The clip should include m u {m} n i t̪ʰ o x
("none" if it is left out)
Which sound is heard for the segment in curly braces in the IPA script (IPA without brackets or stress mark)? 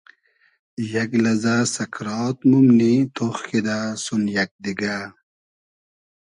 m